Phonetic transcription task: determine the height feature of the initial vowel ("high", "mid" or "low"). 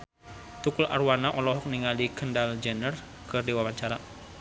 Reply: high